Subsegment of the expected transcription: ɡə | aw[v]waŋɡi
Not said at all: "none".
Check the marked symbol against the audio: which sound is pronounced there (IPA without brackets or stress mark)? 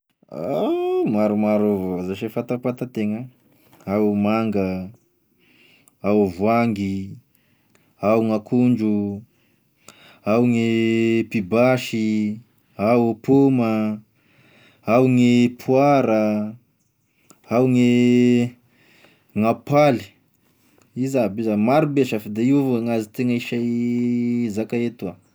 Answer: v